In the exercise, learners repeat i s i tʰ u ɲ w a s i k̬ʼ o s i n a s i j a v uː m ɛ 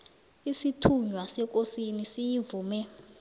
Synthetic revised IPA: i s i tʰ u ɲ w a s ɛ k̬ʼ o s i n i s i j i v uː m ɛ